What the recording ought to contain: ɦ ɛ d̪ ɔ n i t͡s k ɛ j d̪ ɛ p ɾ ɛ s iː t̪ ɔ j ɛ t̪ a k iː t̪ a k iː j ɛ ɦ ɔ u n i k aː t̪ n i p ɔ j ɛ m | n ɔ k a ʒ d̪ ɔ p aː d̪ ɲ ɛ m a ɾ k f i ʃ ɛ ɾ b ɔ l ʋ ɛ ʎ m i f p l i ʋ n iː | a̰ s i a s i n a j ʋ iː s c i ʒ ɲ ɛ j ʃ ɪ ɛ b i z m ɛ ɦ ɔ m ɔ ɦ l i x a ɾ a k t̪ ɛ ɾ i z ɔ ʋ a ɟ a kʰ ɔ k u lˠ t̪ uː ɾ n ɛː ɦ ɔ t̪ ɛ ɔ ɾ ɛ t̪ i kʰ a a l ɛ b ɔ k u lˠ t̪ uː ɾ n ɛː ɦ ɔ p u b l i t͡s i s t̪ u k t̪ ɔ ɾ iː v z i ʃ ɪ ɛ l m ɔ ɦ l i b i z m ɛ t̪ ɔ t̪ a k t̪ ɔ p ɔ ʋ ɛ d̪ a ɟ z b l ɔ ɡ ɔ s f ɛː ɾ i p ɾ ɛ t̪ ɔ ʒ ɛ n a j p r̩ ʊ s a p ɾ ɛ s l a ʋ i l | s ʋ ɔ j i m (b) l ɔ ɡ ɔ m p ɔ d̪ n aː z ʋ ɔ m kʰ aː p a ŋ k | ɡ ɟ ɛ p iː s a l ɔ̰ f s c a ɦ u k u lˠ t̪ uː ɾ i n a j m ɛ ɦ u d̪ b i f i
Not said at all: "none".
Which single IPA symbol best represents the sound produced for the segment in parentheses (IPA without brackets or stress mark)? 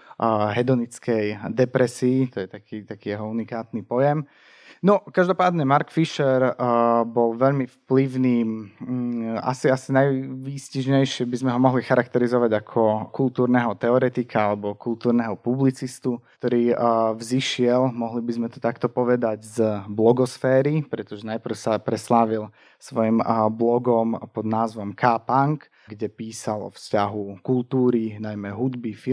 b